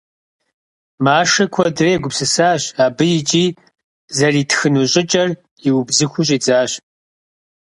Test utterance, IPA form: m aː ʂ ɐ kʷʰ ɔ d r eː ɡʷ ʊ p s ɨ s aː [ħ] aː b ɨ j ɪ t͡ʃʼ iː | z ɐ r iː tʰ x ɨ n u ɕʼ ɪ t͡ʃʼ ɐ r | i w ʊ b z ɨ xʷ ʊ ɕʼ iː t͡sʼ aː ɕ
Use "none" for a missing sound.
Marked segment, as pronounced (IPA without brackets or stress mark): ɕ